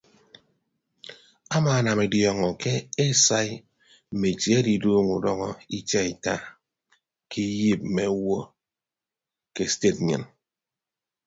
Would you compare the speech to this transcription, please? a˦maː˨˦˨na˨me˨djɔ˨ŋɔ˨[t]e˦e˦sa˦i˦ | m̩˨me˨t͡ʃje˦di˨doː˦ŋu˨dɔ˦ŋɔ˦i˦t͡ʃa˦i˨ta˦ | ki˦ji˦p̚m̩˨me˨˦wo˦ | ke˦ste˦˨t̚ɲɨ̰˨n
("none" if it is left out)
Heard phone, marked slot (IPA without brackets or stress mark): k